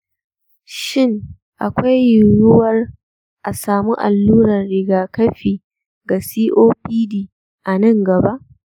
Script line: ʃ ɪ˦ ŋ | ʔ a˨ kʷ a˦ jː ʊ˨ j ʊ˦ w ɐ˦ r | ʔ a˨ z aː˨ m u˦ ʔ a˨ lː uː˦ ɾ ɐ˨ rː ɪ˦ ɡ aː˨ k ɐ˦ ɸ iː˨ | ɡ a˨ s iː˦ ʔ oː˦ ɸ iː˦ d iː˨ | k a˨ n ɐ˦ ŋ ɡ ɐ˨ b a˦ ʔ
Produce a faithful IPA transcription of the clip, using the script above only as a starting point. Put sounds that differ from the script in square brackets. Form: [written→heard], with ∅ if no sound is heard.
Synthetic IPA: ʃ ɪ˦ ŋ | ʔ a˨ kʷ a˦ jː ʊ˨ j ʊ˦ w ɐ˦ r | ʔ a˨ [z→s] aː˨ m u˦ ʔ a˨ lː uː˦ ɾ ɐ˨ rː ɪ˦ ɡ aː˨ k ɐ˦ ɸ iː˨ | ɡ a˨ s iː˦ ʔ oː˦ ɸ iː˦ d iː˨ | [k→ʔ] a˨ n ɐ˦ ŋ ɡ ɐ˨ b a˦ ʔ